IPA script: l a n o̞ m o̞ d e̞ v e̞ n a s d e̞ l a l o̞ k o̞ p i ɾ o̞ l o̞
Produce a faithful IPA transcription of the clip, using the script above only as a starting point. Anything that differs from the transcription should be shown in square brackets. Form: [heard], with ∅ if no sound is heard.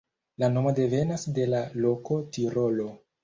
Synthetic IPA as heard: l a n o̞ m o̞ d e̞ v e̞ n a s d e̞ l a l o̞ k o̞ [t] i ɾ o̞ l o̞

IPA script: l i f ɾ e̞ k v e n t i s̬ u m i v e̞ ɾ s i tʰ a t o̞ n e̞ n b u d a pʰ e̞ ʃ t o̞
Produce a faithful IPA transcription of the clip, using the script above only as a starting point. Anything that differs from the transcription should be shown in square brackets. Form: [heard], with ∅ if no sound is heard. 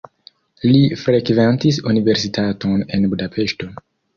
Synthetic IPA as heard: l i f ɾ e̞ k v e n t i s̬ u [n] i v e̞ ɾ s i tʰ a t o̞ n e̞ n b u d a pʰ e̞ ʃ t o̞

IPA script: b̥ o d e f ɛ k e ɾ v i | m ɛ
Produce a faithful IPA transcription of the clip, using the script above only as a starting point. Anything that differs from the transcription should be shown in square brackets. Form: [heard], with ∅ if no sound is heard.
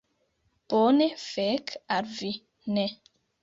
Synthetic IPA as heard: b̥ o [n] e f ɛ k [a] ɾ v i | [n] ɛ

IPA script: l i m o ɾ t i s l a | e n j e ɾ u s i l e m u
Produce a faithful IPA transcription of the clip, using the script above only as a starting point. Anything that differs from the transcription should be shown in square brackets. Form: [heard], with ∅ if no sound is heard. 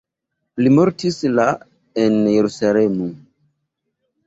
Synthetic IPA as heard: l i m o ɾ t i s l a | e n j e ɾ u s [a] l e m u

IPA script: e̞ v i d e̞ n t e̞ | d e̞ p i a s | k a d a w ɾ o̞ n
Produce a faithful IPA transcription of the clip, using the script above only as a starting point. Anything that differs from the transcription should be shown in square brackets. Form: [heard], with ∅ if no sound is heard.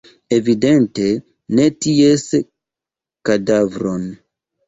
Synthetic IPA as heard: e̞ v i d e̞ n t e̞ | [n] e̞ [t] i [e] s | k a d a [v] ɾ o̞ n

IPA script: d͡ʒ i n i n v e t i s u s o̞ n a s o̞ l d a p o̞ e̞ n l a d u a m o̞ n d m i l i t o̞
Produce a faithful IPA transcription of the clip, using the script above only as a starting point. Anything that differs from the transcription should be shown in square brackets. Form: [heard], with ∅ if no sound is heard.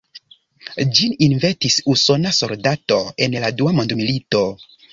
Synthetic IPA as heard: d͡ʒ i n i n v e t i s u s o̞ n a s o̞ l d a [t] o̞ e̞ n l a d u a m o̞ n d m i l i t o̞

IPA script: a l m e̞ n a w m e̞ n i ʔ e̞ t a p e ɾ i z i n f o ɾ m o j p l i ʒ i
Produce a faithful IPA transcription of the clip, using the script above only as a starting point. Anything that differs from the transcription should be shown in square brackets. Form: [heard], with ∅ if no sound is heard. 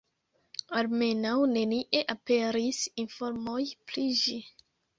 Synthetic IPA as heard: a l m e̞ n a w [n] e̞ n i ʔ e̞ [ʔ] a p e ɾ i [s] i n f o ɾ m o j p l i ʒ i

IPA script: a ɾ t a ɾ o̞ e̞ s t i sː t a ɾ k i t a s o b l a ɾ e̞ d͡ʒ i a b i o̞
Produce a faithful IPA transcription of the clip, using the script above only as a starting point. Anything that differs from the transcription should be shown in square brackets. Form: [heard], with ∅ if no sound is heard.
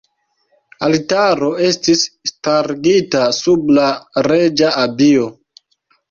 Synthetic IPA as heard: a [l] t a ɾ o̞ e̞ s t i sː t a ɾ [ɡ] i t a s [u] b l a ɾ e̞ d͡ʒ [a] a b i o̞

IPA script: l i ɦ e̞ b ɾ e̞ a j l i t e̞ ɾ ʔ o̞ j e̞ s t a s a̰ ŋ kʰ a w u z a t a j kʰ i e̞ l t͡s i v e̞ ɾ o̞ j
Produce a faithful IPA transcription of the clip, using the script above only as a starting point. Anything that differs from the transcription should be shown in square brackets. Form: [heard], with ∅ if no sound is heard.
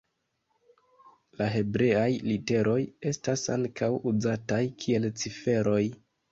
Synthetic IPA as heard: l [a] ɦ e̞ b ɾ e̞ a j l i t e̞ ɾ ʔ o̞ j e̞ s t a s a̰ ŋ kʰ a w u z a t a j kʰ i e̞ l t͡s i [f] e̞ ɾ o̞ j

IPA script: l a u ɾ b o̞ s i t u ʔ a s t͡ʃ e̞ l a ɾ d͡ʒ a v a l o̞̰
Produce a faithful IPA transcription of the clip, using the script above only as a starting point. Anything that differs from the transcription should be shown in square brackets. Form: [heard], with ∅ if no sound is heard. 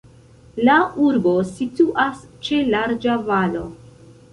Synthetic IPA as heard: l a u ɾ b o̞ s i t u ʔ a s t͡ʃ e̞ l a ɾ d͡ʒ a v a l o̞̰

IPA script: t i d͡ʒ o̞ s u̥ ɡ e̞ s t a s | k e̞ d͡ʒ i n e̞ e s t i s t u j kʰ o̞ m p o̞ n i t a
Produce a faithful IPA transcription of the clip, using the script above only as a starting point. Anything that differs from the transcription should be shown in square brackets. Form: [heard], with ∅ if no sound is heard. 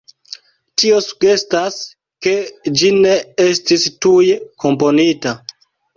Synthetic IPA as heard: t i [∅] o̞ s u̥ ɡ e̞ s t a s | k e̞ d͡ʒ i n e̞ e s t i s t u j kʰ o̞ m p o̞ n i t a

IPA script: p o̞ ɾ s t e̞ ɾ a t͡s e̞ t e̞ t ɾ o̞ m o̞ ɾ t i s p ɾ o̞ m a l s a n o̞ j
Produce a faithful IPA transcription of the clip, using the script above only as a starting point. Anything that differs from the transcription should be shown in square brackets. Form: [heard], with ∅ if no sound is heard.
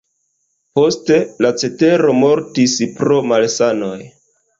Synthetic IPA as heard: p o̞ [∅] s t e̞ [l] a t͡s e̞ t e̞ [∅] ɾ o̞ m o̞ ɾ t i s p ɾ o̞ m a l s a n o̞ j

